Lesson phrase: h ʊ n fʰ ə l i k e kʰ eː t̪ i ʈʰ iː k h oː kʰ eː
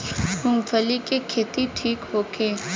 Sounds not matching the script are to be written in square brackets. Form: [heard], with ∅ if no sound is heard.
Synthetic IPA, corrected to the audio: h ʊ [ŋ] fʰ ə l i k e kʰ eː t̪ i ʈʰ iː k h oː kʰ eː